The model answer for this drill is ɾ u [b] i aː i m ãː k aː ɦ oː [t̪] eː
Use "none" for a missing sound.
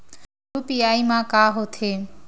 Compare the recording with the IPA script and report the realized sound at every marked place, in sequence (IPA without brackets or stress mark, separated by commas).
p, t̪ʰ